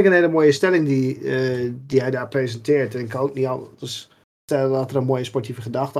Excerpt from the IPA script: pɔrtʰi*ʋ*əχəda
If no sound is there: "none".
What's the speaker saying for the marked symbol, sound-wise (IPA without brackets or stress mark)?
v